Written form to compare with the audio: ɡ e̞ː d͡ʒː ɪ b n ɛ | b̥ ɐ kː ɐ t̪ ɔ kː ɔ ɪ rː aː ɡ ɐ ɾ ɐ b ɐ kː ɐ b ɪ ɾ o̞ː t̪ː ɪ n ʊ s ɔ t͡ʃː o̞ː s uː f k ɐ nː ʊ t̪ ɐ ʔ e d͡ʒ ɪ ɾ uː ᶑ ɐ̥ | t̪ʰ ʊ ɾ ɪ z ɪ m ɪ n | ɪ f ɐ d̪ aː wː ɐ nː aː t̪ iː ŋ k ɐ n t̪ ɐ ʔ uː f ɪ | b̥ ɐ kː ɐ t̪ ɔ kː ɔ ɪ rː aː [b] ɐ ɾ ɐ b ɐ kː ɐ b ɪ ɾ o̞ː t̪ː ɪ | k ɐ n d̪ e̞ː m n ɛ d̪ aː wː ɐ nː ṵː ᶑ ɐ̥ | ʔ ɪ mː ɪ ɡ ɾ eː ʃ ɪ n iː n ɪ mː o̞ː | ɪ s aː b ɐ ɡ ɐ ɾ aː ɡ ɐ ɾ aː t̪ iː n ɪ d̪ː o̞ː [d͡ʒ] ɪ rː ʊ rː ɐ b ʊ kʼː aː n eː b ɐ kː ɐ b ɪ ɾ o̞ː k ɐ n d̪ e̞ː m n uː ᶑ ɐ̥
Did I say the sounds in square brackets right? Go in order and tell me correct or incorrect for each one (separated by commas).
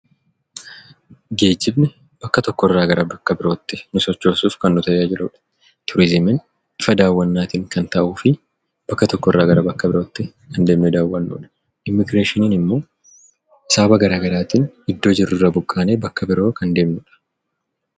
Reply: incorrect, correct